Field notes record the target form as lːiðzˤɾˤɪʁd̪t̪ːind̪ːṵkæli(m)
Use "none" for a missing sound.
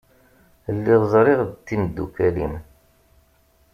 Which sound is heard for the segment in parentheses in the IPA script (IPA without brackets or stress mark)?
m